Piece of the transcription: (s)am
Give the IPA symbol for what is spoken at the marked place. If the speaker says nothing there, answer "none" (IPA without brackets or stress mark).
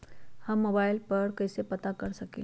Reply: h